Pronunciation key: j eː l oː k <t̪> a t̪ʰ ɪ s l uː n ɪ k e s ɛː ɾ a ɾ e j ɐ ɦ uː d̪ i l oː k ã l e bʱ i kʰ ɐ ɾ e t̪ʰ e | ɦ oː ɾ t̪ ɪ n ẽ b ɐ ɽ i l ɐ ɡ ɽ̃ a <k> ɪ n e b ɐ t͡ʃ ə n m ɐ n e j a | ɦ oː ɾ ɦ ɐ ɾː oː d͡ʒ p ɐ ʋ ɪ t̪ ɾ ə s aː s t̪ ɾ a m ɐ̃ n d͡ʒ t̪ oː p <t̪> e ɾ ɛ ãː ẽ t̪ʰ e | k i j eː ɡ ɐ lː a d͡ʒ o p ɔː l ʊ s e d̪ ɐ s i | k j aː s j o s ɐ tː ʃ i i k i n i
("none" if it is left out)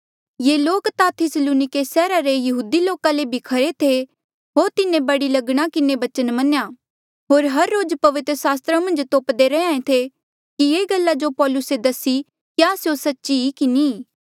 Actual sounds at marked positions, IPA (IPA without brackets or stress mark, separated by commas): t̪, k, d̪